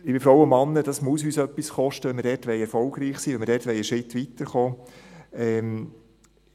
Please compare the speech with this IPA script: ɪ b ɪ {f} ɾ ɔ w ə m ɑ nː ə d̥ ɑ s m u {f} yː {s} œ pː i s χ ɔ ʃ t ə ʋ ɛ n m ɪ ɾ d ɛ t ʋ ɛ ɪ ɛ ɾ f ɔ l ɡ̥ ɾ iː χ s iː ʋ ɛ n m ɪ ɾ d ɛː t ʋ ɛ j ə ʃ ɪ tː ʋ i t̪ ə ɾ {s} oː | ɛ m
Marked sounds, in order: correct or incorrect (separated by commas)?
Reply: correct, incorrect, correct, incorrect